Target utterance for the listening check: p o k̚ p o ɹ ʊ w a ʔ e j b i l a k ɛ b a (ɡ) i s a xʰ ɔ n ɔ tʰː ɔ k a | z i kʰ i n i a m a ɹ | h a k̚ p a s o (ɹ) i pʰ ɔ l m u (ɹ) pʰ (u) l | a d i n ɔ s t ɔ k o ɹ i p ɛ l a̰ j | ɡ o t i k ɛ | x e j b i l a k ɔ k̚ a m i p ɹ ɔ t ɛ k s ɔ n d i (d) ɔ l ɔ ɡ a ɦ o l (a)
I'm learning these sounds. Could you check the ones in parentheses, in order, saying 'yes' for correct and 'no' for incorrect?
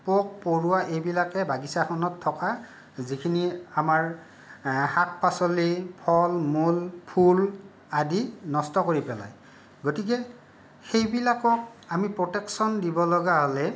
yes, no, no, yes, no, no

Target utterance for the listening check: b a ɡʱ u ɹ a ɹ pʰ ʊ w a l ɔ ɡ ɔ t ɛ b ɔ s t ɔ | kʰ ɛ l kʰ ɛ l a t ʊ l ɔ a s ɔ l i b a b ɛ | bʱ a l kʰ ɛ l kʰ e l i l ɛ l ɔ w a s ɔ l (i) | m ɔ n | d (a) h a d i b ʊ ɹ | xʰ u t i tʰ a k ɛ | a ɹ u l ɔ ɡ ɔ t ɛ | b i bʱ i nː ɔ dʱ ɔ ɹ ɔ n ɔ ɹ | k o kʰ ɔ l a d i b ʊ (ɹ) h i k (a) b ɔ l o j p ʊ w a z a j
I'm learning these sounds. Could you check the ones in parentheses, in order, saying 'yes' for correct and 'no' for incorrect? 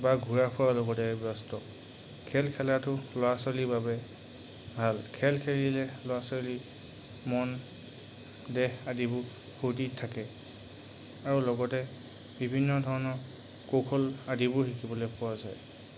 yes, no, yes, no

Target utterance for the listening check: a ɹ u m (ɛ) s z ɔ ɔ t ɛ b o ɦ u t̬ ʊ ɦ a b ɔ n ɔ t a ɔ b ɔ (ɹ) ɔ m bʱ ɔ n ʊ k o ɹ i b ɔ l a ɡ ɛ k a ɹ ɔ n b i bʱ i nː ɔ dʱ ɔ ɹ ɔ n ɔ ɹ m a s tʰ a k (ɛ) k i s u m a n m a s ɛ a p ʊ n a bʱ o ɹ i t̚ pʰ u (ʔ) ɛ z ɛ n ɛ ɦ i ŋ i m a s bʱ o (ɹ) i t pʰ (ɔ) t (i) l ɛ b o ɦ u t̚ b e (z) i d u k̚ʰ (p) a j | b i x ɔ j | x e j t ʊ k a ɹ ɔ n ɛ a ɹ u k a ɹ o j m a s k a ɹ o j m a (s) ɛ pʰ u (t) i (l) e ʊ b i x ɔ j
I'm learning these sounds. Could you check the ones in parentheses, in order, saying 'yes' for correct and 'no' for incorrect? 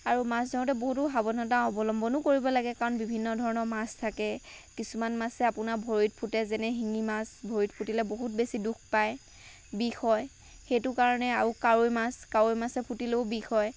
no, no, yes, no, yes, no, yes, no, yes, yes, yes, yes

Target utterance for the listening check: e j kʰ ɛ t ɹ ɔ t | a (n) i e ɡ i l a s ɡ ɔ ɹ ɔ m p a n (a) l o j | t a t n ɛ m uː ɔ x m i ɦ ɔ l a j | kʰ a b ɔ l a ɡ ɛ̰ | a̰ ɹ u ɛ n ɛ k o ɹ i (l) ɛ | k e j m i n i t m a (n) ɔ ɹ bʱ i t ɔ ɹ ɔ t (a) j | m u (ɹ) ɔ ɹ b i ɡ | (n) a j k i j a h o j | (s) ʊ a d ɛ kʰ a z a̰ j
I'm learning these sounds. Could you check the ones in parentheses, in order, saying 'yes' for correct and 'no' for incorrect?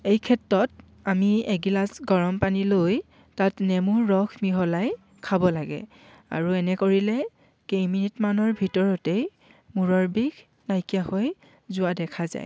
no, no, yes, yes, no, yes, yes, no

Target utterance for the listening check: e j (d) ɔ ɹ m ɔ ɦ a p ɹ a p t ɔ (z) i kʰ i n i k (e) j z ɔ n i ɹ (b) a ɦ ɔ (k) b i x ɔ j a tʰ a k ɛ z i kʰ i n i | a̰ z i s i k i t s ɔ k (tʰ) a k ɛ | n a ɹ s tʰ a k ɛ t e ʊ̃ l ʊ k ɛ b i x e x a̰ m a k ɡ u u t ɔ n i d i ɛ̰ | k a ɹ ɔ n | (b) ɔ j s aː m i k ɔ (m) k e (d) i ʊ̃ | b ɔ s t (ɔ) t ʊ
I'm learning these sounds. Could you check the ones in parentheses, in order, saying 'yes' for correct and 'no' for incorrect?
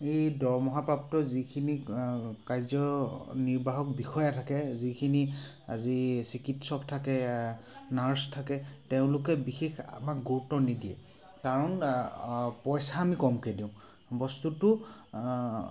yes, yes, no, yes, yes, yes, no, yes, yes, no

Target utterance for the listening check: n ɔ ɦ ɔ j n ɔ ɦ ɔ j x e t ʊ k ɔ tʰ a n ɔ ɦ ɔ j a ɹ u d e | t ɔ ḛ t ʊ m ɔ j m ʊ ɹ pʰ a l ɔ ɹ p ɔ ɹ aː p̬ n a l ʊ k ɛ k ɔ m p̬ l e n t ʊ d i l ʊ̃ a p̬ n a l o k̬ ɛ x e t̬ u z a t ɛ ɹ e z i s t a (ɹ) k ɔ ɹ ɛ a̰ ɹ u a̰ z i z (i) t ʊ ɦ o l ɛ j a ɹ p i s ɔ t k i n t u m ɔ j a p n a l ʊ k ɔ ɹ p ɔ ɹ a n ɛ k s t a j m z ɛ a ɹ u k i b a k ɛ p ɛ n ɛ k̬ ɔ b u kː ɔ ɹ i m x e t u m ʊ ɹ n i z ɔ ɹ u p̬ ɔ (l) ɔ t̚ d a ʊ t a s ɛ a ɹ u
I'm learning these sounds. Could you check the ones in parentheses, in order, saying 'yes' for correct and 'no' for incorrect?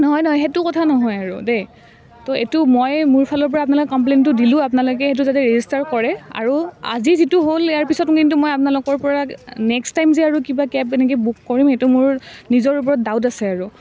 yes, yes, no

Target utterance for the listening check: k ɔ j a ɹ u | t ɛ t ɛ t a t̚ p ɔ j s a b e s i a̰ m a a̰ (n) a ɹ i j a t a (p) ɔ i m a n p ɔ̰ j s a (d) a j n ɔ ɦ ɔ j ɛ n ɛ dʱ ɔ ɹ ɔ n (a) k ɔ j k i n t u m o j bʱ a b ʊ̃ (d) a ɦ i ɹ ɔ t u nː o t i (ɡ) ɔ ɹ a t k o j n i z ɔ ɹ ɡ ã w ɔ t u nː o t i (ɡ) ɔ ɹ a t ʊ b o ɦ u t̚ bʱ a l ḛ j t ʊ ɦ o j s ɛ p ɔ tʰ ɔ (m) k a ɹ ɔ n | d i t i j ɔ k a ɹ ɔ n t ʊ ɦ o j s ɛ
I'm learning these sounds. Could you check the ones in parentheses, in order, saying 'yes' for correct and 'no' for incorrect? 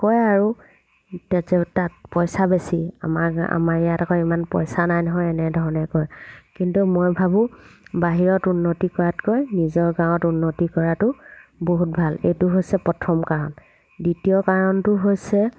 no, no, no, no, no, no, no, yes

